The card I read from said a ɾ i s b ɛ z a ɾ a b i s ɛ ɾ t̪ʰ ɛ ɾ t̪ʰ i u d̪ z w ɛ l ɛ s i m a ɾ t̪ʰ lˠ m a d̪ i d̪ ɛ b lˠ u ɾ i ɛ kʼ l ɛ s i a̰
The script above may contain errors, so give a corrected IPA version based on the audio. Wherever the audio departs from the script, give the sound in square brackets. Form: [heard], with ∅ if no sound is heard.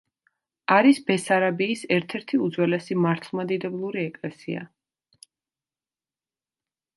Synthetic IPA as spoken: a ɾ i s b ɛ [s] a ɾ a b [iː] s ɛ ɾ t̪ʰ ɛ ɾ t̪ʰ i u d̪ z w ɛ l ɛ s i m a ɾ t̪ʰ lˠ m a d̪ i d̪ ɛ b lˠ u ɾ i ɛ kʼ l ɛ s i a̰

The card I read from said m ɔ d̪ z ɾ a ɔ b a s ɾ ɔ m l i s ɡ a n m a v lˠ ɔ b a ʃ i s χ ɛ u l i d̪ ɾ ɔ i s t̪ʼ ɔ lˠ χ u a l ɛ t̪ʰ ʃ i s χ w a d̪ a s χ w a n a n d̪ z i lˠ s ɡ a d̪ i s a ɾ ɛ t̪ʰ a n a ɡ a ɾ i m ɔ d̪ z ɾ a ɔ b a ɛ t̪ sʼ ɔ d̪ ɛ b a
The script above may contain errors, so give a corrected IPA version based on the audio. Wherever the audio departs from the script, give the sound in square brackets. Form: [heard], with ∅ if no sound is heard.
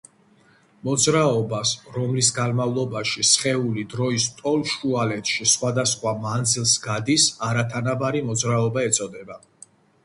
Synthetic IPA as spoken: m ɔ d̪ z ɾ a ɔ b a s ɾ ɔ m l i s ɡ a n m a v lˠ ɔ b a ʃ i s χ ɛ u l i d̪ ɾ ɔ i s t̪ʼ ɔ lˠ [ʃ] u a l ɛ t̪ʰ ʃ i s χ w a d̪ a s χ w a [m] a n d̪ z i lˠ s ɡ a d̪ i s a ɾ [a] t̪ʰ a n a [b] a ɾ i m ɔ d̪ z ɾ a ɔ b a ɛ t̪ sʼ ɔ d̪ ɛ b a

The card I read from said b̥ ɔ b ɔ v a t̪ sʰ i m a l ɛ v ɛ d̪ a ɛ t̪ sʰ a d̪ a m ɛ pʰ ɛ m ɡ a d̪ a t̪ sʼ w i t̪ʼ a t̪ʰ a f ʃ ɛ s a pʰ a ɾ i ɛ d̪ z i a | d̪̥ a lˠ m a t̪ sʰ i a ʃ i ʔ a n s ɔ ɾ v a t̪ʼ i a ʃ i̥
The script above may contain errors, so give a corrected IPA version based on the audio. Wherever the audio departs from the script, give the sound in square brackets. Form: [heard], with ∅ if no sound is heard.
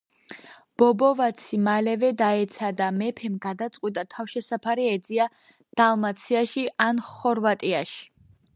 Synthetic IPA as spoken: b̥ ɔ b ɔ v a t̪ sʰ i m a l ɛ v ɛ d̪ a ɛ t̪ sʰ a d̪ a m ɛ pʰ ɛ m ɡ a d̪ a t̪ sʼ w i t̪ʼ a t̪ʰ a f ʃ ɛ s a pʰ a ɾ i ɛ d̪ z i a | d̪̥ a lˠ m a t̪ sʰ i a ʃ i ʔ a n [χ] ɔ ɾ v a t̪ʼ i a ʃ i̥

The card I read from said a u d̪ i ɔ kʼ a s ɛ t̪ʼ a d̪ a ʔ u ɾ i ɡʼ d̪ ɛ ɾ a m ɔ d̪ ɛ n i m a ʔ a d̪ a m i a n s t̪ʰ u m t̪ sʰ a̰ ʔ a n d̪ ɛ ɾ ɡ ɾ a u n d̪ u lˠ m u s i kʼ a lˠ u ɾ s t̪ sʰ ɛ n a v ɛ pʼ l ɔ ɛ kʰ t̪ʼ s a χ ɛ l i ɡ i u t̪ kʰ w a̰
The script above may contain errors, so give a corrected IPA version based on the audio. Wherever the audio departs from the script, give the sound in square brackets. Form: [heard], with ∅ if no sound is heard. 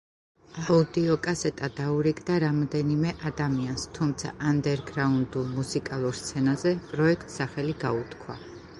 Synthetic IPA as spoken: a u d̪ i ɔ kʼ a s ɛ t̪ʼ a d̪ a [∅] u ɾ i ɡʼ d̪ [a] ɾ a m ɔ d̪ ɛ n i m [ɛ] ʔ a d̪ a m i a n s t̪ʰ u m t̪ sʰ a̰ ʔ a n d̪ ɛ ɾ ɡ ɾ a u n d̪ u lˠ m u s i kʼ a lˠ u ɾ s t̪ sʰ ɛ n a [z] ɛ pʼ [ɾ] ɔ ɛ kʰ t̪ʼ s a χ ɛ l i ɡ [a] u t̪ kʰ w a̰

